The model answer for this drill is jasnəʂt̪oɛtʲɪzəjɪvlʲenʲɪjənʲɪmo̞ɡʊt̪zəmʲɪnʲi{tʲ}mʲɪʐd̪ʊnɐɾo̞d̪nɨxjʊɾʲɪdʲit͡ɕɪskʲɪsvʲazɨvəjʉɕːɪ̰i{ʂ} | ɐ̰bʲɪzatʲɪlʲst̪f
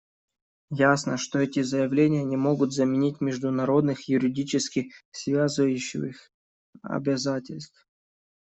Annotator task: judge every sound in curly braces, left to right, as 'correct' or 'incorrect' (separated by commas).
correct, incorrect